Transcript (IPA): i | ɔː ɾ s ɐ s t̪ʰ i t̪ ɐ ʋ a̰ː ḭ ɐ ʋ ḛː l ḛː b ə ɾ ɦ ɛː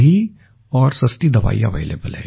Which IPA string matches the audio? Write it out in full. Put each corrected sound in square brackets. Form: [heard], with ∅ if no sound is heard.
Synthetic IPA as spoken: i | ɔː ɾ s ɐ s [t̪] i [d̪] ɐ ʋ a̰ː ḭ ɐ ʋ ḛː l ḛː b ə [l] ɦ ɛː